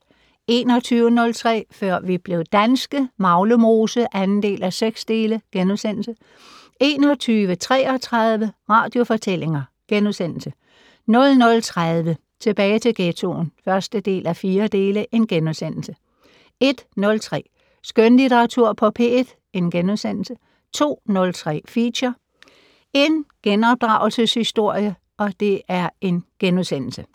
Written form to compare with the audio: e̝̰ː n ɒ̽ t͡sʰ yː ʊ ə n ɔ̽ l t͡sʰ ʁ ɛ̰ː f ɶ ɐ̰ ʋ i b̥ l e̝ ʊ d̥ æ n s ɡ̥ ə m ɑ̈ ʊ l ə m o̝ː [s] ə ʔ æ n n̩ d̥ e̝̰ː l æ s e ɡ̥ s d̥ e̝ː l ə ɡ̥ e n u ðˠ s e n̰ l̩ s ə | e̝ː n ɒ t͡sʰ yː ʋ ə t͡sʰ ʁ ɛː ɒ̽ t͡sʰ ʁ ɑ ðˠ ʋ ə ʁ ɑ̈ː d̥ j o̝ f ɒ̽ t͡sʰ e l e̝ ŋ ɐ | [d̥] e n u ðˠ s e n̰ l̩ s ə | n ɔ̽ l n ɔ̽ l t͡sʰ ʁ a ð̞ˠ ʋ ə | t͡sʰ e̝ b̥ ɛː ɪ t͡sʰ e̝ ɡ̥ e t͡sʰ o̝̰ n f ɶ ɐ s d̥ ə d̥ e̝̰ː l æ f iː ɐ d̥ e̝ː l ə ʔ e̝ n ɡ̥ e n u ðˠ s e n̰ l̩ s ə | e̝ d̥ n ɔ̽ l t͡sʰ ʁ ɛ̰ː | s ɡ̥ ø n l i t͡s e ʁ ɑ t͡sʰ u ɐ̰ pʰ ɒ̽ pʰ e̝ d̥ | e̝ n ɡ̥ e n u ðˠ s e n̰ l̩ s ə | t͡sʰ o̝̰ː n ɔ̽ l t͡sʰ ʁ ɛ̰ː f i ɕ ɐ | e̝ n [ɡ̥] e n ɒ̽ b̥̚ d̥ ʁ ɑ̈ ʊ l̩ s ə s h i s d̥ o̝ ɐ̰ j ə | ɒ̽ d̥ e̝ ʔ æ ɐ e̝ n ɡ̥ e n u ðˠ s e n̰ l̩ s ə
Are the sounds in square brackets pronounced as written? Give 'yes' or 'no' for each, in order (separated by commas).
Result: yes, no, yes